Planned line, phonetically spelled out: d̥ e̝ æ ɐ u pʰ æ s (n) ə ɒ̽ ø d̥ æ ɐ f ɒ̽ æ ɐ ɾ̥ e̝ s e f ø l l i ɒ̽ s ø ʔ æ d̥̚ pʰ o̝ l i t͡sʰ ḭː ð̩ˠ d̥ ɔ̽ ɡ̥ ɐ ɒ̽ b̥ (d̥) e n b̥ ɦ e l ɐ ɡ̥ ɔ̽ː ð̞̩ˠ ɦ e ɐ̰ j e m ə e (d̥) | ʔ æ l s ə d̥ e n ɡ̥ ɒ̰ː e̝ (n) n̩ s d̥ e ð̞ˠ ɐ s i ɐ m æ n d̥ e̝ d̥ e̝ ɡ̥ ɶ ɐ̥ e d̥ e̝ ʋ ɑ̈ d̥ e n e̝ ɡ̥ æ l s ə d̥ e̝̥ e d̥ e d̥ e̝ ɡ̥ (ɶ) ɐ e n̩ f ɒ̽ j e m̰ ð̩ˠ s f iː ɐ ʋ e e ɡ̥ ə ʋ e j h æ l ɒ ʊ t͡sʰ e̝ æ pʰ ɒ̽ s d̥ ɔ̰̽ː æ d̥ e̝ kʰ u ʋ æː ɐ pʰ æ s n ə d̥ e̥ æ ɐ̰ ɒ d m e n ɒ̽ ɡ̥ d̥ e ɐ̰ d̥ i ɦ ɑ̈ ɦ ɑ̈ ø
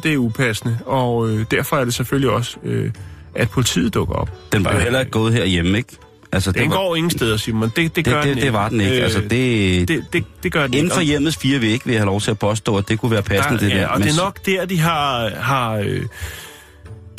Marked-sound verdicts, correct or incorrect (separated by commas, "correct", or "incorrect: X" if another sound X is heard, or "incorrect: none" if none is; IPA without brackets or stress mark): correct, correct, incorrect: ɡ̥, incorrect: ŋ, correct